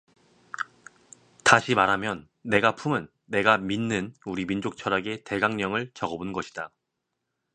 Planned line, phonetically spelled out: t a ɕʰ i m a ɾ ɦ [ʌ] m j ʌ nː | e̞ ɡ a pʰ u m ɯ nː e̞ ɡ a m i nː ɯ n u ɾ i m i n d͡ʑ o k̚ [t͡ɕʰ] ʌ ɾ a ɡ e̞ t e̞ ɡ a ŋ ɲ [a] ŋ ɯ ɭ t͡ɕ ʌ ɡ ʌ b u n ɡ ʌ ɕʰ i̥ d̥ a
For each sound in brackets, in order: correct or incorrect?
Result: incorrect: a, correct, incorrect: ʌ

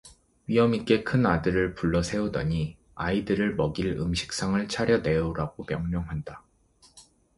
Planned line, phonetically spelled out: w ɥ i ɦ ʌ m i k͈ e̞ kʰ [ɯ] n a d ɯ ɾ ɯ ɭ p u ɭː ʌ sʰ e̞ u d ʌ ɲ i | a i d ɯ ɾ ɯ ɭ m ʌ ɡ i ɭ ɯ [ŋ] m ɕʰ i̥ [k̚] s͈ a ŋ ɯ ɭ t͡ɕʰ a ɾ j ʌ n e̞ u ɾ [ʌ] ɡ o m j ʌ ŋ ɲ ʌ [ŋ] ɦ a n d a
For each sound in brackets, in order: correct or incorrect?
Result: correct, incorrect: none, correct, incorrect: a, correct

